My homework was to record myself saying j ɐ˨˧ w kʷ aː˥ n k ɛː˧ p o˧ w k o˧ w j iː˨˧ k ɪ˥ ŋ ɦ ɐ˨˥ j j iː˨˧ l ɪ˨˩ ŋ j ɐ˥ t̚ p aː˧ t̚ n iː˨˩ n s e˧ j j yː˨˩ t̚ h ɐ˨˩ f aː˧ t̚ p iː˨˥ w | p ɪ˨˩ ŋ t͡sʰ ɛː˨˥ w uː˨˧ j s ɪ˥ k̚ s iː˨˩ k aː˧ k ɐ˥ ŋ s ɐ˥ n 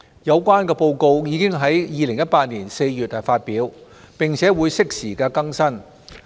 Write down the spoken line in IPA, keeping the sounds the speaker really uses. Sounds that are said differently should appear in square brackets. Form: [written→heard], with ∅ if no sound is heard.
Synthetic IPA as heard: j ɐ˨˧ w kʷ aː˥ n k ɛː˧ p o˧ w k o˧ w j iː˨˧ k ɪ˥ ŋ ɦ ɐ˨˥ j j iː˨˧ l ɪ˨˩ ŋ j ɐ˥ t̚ p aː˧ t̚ n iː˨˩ n s e˧ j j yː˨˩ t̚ h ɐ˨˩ f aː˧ t̚ p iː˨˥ w | p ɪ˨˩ ŋ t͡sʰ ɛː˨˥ w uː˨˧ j s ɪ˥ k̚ s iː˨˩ k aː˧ k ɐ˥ ŋ s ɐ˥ n